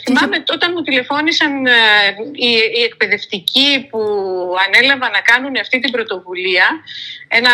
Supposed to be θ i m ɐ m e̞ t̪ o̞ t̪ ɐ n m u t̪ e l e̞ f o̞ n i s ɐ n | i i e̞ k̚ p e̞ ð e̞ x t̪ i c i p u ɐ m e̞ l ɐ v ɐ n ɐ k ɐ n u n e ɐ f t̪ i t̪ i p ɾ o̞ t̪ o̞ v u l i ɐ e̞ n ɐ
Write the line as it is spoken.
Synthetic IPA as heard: θ i m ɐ m e̞ t̪ o̞ t̪ ɐ n m u t̪ i l e̞ f o̞ n i s ɐ n | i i e̞ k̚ p e̞ ð e̞ f t̪ i c i p u ɐ n e̞ l ɐ v ɐ n ɐ k ɐ n u n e ɐ f t̪ i t̪ i b ɾ o̞ t̪ o̞ v u l i ɐ e̞ n ɐ